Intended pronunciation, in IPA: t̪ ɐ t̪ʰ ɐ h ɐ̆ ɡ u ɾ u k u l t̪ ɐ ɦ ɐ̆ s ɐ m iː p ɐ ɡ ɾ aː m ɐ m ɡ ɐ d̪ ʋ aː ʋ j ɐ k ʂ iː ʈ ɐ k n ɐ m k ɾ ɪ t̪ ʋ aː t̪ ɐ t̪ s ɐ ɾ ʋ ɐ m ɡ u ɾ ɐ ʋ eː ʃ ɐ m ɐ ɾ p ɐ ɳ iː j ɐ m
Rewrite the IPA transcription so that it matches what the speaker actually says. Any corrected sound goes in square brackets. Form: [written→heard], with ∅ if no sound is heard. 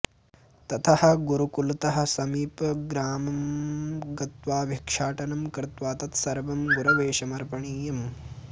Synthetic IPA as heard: t̪ ɐ t̪ʰ ɐ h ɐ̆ ɡ u ɾ u k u l t̪ ɐ ɦ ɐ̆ s ɐ m iː p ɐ ɡ ɾ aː m ɐ m ɡ ɐ [d̪→t̪] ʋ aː ʋ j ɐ k ʂ [iː→aː] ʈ ɐ [k→∅] n ɐ m k ɾ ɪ t̪ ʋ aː t̪ ɐ t̪ s ɐ ɾ ʋ ɐ m ɡ u ɾ ɐ ʋ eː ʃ ɐ m ɐ ɾ p ɐ ɳ iː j ɐ m